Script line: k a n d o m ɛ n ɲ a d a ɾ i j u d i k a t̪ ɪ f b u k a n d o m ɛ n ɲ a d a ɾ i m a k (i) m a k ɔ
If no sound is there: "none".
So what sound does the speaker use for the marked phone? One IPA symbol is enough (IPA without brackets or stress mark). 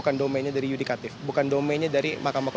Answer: a